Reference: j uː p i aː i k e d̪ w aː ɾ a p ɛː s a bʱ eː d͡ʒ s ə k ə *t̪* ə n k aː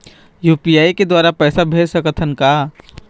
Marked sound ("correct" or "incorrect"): incorrect